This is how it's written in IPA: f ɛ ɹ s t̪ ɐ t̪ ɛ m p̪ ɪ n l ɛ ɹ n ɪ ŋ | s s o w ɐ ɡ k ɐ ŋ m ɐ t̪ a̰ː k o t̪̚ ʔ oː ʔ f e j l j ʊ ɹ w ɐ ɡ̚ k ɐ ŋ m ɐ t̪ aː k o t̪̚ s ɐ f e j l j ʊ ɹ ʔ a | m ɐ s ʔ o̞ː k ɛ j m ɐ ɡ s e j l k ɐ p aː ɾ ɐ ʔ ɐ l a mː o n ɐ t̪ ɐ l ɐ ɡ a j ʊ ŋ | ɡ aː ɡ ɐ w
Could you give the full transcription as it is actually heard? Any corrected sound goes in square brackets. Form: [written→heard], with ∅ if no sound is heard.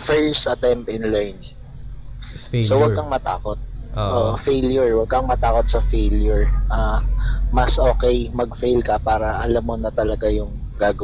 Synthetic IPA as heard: f ɛ ɹ s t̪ ɐ t̪ ɛ m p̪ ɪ n l ɛ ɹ n ɪ ŋ | s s o w ɐ ɡ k ɐ ŋ m ɐ t̪ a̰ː k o t̪̚ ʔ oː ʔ f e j l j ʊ ɹ w ɐ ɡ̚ k ɐ ŋ m ɐ t̪ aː k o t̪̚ s ɐ f e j l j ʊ ɹ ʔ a | m ɐ s ʔ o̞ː k ɛ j m ɐ ɡ [s→f] e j l k ɐ p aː ɾ ɐ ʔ ɐ l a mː o n ɐ t̪ ɐ l ɐ ɡ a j ʊ ŋ | ɡ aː ɡ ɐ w